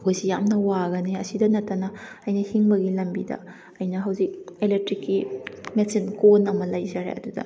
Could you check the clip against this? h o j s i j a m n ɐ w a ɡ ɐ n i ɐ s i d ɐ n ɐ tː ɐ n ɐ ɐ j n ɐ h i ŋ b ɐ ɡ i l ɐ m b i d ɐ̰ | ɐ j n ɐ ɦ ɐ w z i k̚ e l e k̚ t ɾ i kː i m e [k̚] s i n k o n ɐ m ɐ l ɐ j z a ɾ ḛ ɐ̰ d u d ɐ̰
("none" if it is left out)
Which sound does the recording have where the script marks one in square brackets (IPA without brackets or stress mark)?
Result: none